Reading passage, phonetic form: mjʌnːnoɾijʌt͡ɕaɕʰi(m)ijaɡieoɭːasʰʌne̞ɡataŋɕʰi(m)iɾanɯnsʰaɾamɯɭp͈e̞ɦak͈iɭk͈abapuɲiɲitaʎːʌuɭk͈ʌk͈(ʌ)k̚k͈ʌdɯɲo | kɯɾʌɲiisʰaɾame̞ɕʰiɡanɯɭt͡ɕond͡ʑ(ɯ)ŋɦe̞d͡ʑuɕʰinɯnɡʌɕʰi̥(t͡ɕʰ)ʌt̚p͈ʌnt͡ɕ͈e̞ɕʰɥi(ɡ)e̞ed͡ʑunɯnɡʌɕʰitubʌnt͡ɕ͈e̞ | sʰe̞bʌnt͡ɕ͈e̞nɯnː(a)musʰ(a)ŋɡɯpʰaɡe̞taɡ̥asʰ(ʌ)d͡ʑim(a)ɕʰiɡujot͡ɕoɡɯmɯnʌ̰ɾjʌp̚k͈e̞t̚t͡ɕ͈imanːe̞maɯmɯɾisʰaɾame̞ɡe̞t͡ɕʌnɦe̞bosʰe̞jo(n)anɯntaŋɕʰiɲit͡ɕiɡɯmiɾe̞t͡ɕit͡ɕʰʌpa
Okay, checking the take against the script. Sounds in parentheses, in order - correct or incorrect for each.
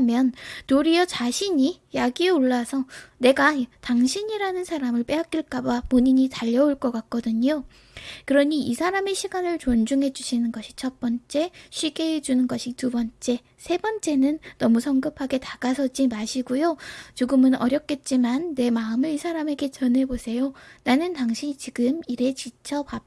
incorrect: ɲ, incorrect: ɲ, incorrect: a, incorrect: u, correct, correct, incorrect: ʌ, incorrect: ʌ, correct, correct, correct

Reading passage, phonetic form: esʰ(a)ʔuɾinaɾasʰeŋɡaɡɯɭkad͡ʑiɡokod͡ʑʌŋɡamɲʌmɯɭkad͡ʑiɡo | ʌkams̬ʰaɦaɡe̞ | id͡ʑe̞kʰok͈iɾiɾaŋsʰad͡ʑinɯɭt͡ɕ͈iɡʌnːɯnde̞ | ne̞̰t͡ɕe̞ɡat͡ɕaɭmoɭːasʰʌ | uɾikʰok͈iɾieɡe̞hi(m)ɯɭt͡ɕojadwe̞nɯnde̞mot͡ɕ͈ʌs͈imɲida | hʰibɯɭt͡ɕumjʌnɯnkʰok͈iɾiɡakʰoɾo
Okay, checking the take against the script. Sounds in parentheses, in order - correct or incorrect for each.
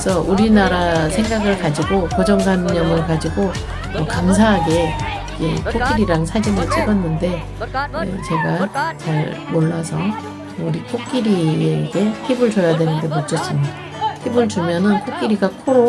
incorrect: ʌ, incorrect: b

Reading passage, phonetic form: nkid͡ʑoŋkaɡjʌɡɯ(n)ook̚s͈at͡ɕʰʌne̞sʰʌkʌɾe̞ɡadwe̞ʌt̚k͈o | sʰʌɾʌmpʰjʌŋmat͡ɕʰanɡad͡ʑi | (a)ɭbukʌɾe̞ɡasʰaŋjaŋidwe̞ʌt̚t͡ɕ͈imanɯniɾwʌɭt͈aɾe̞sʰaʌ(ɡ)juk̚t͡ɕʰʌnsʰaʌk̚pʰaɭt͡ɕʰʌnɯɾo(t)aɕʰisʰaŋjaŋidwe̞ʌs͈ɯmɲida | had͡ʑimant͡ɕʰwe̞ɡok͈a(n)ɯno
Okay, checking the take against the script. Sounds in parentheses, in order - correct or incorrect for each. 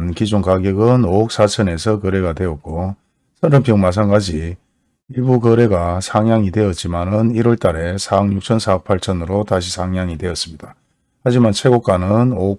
correct, incorrect: i, incorrect: ŋ, correct, correct

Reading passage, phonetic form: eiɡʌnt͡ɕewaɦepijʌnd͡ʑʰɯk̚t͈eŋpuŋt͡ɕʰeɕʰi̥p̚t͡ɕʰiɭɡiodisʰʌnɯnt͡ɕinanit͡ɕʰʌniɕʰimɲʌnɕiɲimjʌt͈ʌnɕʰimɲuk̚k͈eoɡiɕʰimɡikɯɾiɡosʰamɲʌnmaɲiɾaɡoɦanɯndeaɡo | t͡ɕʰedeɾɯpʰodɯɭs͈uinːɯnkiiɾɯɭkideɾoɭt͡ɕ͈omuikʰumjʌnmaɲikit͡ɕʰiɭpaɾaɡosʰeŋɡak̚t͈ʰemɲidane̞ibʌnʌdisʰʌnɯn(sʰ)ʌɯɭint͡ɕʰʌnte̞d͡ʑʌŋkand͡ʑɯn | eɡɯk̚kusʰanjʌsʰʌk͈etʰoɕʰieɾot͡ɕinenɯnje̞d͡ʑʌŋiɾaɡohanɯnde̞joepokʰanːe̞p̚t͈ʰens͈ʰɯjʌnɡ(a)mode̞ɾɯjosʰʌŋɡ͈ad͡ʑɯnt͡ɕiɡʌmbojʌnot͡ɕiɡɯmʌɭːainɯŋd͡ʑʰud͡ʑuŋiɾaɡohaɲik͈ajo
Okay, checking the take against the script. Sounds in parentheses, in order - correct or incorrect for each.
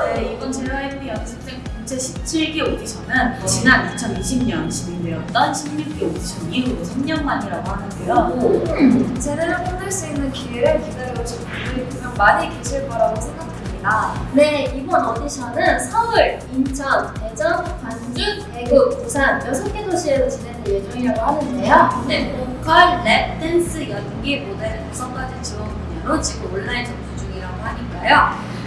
correct, incorrect: i

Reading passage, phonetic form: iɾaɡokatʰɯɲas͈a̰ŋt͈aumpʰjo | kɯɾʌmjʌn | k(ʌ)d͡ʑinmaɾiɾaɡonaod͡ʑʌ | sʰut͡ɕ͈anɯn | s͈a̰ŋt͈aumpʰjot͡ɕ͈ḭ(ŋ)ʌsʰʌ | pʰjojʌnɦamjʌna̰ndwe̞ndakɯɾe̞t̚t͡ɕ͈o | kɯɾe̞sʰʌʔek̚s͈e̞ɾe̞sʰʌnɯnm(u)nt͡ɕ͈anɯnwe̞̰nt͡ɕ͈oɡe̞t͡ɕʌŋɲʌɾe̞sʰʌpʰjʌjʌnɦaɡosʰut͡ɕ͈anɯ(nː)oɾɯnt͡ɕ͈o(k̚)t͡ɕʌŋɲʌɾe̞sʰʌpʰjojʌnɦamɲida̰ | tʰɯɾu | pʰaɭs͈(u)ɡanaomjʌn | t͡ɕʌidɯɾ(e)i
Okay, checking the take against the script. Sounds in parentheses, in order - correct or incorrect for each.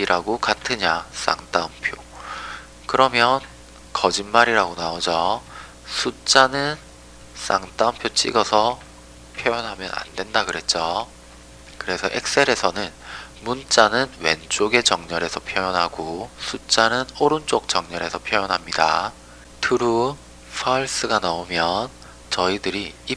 correct, incorrect: ɡ, correct, incorrect: n, correct, incorrect: ɯ, incorrect: i

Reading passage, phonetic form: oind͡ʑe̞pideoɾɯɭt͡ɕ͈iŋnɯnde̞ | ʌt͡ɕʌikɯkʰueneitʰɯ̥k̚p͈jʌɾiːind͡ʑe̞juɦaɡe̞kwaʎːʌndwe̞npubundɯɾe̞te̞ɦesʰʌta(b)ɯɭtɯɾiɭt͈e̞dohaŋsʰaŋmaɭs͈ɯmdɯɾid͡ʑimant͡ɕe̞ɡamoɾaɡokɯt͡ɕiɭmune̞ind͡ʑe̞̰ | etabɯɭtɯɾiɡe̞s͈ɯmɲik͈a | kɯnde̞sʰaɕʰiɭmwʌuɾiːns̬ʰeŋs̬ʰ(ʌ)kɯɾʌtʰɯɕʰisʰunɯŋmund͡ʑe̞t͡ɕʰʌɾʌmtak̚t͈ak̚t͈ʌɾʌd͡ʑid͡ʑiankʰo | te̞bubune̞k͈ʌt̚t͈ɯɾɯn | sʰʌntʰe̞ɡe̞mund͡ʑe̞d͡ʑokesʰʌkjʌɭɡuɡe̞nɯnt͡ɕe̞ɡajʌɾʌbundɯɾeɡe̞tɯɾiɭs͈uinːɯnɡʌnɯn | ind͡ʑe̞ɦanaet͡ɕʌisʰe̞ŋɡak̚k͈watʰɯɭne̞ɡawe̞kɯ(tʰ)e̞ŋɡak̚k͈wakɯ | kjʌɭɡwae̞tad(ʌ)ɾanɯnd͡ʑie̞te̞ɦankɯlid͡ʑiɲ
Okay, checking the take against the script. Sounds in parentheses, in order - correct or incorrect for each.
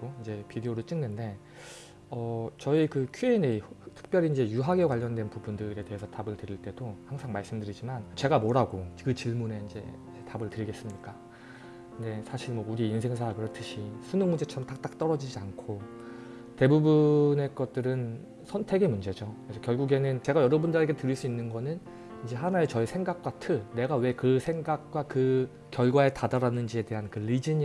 correct, incorrect: a, incorrect: sʰ, incorrect: a

